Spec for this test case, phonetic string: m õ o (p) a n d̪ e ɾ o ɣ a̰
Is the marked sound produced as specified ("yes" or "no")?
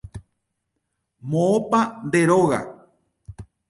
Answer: yes